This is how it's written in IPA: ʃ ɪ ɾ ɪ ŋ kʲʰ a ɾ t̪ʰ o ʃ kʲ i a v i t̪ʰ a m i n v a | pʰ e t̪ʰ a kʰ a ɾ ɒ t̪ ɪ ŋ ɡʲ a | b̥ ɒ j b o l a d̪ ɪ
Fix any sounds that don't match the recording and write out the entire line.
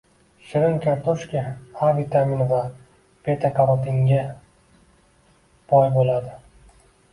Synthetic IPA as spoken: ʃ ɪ ɾ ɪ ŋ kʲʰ a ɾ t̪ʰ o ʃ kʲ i a v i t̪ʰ a m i n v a | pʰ e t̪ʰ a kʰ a ɾ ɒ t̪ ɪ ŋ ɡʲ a | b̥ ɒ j b o l a d̪ ɪ

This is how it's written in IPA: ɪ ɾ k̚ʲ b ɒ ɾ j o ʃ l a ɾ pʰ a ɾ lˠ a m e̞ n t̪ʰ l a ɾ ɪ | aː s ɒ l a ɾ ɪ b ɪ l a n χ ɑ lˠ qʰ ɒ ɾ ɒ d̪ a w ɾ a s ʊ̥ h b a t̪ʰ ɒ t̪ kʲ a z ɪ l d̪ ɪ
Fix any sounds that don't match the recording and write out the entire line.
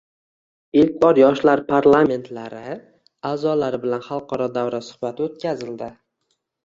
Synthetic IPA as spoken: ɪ l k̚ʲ b ɒ ɾ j ɒ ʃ l a ɾ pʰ a ɾ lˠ a m e̞ n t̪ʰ l a ɾ ɪ | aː z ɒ l a ɾ ɪ b ɪ l a n χ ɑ lˠ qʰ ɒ ɾ ɒ d̪ a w ɾ a s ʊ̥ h b a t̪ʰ o t̪ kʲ a z ɪ l d̪ ɪ

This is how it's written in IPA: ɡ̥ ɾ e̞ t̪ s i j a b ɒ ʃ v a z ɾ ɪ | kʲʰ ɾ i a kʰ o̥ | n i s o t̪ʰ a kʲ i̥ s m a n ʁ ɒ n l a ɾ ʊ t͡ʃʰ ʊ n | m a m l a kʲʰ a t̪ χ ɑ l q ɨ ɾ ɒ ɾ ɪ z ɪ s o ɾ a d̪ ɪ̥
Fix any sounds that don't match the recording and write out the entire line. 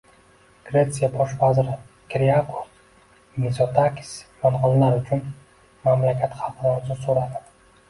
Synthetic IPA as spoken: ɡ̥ ɾ e̞ t̪ s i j a b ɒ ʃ v a z ɾ ɪ | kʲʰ ɾ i a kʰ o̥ | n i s o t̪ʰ a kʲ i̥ s m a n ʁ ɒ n l a ɾ ʊ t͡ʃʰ ʊ n | m a m l a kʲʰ a t̪ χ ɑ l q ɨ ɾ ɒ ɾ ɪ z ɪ s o ɾ a d̪ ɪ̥

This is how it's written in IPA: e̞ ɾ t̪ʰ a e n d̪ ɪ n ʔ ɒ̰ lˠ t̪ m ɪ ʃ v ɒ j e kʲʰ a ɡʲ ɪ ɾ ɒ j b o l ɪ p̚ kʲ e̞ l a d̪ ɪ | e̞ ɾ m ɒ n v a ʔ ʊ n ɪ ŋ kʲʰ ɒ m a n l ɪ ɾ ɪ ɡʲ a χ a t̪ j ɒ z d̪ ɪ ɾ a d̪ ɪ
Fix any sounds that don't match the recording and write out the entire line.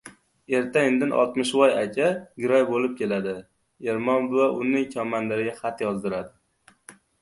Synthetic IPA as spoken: e̞ ɾ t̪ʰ a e n d̪ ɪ n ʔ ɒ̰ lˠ t̪ m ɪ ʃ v ɒ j a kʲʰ a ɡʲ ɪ ɾ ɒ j b o l ɪ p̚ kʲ e̞ l a d̪ ɪ | e̞ ɾ m ɒ n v a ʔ ʊ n ɪ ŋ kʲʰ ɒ m a n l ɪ ɾ ɪ ɡʲ a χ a t̪ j ɒ z d̪ ɪ ɾ a d̪ ɪ

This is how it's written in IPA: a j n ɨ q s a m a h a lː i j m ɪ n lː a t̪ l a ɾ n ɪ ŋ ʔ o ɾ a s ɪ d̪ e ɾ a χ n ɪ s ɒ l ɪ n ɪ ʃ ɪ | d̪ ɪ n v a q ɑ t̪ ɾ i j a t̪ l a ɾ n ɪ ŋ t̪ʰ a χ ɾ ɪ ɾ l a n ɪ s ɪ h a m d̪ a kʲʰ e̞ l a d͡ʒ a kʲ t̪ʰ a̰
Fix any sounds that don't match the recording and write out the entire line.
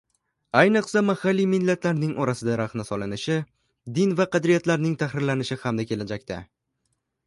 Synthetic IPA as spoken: a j n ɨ q s a m a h a lː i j m ɪ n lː a t̪ l a ɾ n ɪ ŋ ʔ ɒ ɾ a s ɪ d̪ a ɾ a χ n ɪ s ɒ l ɪ n ɪ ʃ ɪ | d̪ ɪ n v a q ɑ d̪ ɾ i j a t̪ l a ɾ n ɪ ŋ t̪ʰ a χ ɾ ɪ ɾ l a n ɪ ʃ ɪ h a m d̪ a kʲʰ e̞ l a d͡ʒ a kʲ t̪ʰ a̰

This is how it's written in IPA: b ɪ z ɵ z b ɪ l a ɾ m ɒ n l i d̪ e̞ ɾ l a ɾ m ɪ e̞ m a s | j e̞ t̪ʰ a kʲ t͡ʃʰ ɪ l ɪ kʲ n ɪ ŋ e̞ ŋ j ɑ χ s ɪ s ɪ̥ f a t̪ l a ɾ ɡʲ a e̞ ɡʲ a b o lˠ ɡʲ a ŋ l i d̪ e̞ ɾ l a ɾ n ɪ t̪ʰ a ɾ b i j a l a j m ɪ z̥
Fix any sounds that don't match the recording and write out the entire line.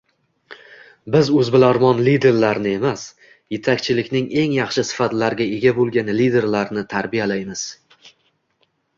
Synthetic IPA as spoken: b ɪ z ɵ z b ɪ l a ɾ m ɒ n l i d̪ e̞ ɾ l a ɾ n ɪ e̞ m a s | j e̞ t̪ʰ a kʲ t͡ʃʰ ɪ l ɪ kʲ n ɪ ŋ e̞ ŋ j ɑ χ ʃ ɪ s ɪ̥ f a t̪ l a ɾ ɡʲ a e̞ ɡʲ a b o lˠ ɡʲ a n l i d̪ e̞ ɾ l a ɾ n ɪ t̪ʰ a ɾ b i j a l a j m ɪ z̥

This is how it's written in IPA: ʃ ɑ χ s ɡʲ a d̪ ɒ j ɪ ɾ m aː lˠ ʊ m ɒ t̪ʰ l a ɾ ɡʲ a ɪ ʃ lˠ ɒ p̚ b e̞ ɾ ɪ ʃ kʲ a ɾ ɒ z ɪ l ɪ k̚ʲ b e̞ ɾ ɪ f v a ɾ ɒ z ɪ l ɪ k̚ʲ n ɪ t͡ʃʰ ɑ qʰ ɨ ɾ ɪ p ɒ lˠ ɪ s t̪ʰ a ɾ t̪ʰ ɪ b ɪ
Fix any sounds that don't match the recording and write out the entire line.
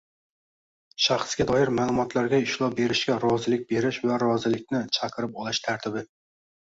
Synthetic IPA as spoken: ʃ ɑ χ s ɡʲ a d̪ ɒ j ɪ ɾ m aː lˠ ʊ m ɒ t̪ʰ l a ɾ ɡʲ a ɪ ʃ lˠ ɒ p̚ b e̞ ɾ ɪ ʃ kʲ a ɾ ɒ z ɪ l ɪ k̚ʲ b e̞ ɾ ɪ ʃ v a ɾ ɒ z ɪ l ɪ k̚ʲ n ɪ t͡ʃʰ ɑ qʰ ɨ ɾ ɪ p ɒ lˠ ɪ ʃ t̪ʰ a ɾ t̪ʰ ɪ b ɪ

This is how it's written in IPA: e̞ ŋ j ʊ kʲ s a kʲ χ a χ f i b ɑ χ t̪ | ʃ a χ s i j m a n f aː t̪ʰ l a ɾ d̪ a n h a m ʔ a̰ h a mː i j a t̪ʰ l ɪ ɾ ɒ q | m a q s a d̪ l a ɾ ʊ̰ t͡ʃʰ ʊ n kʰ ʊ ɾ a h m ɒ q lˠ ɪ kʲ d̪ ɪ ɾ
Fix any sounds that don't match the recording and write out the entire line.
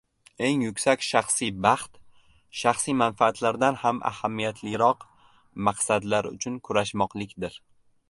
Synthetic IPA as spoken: e̞ ŋ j ʊ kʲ s a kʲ ʃ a χ s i b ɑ χ t̪ | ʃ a χ s i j m a n f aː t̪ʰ l a ɾ d̪ a n h a m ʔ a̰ h a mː i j a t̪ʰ l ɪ ɾ ɒ q | m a q s a d̪ l a ɾ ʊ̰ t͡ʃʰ ʊ n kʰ ʊ ɾ a ʃ m ɒ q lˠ ɪ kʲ d̪ ɪ ɾ

